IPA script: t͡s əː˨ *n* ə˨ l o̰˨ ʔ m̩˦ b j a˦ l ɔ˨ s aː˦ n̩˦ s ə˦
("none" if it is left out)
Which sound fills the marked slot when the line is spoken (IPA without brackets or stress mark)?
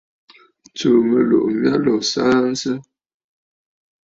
m